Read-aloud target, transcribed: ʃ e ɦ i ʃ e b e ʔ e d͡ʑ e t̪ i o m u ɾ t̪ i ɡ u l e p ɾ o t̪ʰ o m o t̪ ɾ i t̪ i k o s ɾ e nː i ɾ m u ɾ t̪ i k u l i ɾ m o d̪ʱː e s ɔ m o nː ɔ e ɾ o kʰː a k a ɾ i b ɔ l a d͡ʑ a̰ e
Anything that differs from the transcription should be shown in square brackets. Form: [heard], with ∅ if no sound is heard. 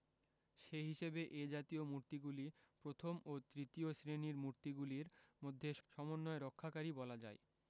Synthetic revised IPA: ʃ e ɦ i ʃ e b e ʔ e d͡ʑ [a] t̪ i o m u ɾ t̪ i ɡ u l [i] p ɾ o t̪ʰ o m o t̪ ɾ i t̪ i [∅] o s ɾ e [n] i ɾ m u ɾ t̪ i [ɡ] u l i ɾ m o d̪ʱː e [ʃ] ɔ m o nː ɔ e ɾ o kʰː a k a ɾ i b ɔ l a d͡ʑ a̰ e

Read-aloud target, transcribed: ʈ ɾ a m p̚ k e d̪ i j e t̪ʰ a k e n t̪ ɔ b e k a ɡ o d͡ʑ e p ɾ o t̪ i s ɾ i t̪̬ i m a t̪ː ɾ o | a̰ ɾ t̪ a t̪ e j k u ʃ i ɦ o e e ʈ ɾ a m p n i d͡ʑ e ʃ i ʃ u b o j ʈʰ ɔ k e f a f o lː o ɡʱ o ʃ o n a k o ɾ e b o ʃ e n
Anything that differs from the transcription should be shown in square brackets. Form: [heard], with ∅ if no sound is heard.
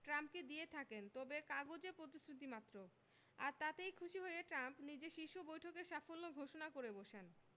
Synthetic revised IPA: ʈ ɾ a m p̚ k e d̪ i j e t̪ʰ a k e n t̪ ɔ b e k a ɡ o d͡ʑ e p ɾ o t̪ i s ɾ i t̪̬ i m a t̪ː ɾ o | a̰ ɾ t̪ a t̪ e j [kʰ] u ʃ i ɦ o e e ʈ ɾ a m p n i d͡ʑ e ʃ i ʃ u b o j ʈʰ [o] k e [ʃ] a f o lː o ɡʱ o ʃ o n a k o ɾ e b o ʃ e n

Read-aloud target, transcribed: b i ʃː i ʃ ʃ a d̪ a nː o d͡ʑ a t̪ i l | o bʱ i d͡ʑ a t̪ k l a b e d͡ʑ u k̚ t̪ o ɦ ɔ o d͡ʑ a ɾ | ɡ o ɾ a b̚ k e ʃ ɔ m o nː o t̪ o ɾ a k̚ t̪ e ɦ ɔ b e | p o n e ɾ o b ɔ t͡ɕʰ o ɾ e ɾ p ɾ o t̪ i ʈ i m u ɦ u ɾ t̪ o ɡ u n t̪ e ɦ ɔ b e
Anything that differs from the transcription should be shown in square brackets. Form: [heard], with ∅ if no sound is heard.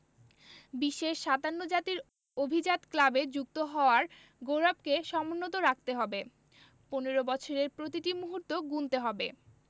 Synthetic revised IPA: b i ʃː [e] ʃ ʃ a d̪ a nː o d͡ʑ a t̪ i [ɾ] | o bʱ i d͡ʑ a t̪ k l a b e d͡ʑ u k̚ t̪ o ɦ ɔ o [∅] a ɾ | ɡ o ɾ a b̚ k e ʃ ɔ m o nː o t̪ o ɾ a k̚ t̪ e ɦ ɔ b e | p o n e ɾ o b ɔ t͡ɕʰ o ɾ e ɾ p ɾ o t̪ i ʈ i m u ɦ u ɾ t̪ o ɡ u n t̪ e ɦ ɔ b e

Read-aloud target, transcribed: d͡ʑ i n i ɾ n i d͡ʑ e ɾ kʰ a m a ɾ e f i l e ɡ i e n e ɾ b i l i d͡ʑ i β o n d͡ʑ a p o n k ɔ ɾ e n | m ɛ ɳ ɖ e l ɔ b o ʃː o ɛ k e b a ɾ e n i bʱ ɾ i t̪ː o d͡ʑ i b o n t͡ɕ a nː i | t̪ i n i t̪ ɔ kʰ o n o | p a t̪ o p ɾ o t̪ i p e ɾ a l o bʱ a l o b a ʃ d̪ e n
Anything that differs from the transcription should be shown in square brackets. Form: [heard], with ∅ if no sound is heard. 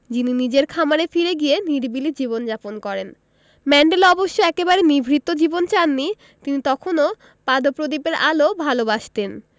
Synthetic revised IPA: d͡ʑ i n i [∅] n i d͡ʑ e ɾ kʰ a m a ɾ e f i [ɾ] e ɡ i e n [i] ɾ b i l i d͡ʑ i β o n d͡ʑ a p o n k ɔ ɾ e n | m ɛ ɳ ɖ e l ɔ b o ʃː o ɛ k e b a ɾ e n i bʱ ɾ i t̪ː o d͡ʑ i b o n t͡ɕ a nː i | t̪ i n i t̪ ɔ kʰ o n o | p a [d̪] o p ɾ o [d̪] i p e ɾ a l o bʱ a l o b a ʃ [t̪] e n

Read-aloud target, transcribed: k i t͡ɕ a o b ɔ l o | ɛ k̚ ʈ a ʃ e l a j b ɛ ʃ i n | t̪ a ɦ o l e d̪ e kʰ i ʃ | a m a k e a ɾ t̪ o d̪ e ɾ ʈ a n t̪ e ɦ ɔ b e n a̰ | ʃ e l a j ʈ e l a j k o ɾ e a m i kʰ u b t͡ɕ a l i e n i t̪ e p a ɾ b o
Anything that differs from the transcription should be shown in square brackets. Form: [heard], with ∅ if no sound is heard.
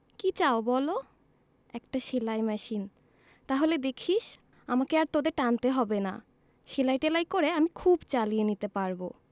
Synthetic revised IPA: k i t͡ɕ a o b ɔ l o | ɛ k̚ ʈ a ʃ e l a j [m] ɛ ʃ i n | t̪ a ɦ o l e d̪ e kʰ i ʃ | a m a k e a ɾ t̪ o d̪ e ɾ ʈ a n t̪ e ɦ ɔ b e n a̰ | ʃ e l a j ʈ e l a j k o ɾ e a m i kʰ u b t͡ɕ a l i e n i t̪ e p a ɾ b o

